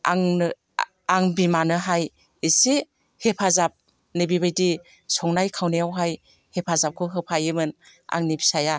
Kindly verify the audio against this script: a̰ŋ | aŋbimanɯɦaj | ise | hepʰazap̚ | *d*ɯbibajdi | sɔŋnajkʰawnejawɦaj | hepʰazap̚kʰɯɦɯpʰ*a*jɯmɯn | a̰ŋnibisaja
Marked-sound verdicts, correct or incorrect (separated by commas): incorrect, correct